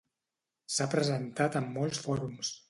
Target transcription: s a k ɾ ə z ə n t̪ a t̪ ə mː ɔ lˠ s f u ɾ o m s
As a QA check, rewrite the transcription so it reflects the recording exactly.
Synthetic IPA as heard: s a p ɾ ə z ə n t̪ a t̪ ə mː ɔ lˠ s f ɔ ɾ u m s